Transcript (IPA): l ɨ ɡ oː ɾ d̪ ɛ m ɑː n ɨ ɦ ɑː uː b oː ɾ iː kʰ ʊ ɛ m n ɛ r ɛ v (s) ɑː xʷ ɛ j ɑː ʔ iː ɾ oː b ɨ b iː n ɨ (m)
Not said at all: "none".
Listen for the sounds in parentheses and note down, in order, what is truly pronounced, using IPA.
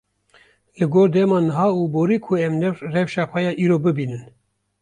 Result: ʃ, n

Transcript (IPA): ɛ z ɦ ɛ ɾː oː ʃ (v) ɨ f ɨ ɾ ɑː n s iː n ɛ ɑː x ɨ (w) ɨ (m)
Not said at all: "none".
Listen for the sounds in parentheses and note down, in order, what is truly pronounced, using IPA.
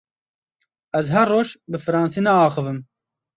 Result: b, v, m

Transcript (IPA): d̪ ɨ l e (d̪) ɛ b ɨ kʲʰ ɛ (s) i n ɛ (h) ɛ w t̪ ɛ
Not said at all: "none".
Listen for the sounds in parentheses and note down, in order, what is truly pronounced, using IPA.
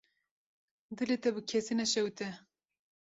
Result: t̪, s, ʃ

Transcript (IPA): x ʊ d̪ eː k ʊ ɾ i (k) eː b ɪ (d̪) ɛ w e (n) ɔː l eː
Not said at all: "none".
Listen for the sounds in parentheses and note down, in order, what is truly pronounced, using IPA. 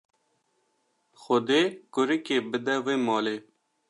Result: k, d̪, m

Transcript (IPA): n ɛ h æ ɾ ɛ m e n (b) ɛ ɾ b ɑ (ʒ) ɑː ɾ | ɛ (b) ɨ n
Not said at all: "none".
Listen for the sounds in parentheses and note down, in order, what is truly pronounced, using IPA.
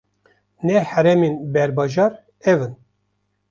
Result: b, ʒ, v

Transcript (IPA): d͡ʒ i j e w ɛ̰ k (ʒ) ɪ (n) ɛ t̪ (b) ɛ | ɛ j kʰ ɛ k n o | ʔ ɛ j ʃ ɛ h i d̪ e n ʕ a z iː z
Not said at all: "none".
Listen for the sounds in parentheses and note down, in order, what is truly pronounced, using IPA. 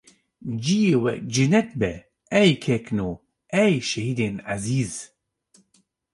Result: d͡ʒ, n, b

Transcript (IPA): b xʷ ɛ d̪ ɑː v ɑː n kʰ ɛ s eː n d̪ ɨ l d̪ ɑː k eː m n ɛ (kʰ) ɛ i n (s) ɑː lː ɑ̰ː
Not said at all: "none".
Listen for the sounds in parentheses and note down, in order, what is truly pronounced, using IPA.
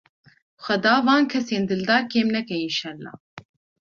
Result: k, ʃ

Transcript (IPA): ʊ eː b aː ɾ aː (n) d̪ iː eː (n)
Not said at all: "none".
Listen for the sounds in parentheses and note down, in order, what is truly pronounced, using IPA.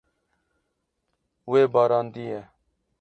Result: n, none

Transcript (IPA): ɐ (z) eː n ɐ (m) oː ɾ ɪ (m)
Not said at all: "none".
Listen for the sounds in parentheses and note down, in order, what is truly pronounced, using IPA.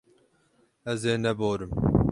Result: z, b, m

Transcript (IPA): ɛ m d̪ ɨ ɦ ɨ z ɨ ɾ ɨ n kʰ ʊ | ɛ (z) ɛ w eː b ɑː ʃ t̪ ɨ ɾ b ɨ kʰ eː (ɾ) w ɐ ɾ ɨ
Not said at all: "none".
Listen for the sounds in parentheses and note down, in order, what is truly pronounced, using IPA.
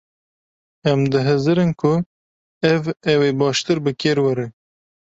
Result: v, ɾ

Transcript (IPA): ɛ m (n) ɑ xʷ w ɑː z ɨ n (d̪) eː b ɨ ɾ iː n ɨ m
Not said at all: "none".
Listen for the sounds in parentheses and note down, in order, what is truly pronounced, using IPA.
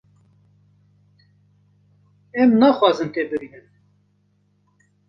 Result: n, t̪

